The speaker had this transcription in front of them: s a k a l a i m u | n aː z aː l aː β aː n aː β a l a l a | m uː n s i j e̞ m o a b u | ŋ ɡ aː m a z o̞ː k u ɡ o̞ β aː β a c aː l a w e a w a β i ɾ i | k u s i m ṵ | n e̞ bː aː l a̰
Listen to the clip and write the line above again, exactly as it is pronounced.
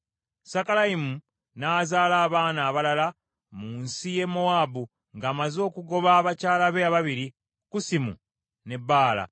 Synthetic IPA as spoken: s a k a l a i m u | n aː z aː l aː β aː n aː β a l a l a | m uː n s i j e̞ m o a b u | ŋ ɡ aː m a z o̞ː k u ɡ o̞ β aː β a c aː l a β e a β a β i ɾ i | k u s i m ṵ | n e̞ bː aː l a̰